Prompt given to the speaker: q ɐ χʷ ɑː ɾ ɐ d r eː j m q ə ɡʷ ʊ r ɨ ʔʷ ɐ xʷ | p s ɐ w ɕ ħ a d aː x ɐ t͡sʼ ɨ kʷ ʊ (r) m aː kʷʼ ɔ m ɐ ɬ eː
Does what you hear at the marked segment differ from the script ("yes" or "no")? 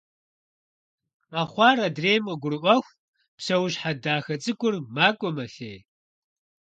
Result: no